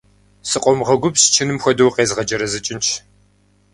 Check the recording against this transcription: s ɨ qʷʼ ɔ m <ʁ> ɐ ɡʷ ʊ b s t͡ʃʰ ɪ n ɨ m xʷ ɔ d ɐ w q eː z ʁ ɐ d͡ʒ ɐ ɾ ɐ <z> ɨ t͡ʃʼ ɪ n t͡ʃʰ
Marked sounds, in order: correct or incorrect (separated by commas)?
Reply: correct, correct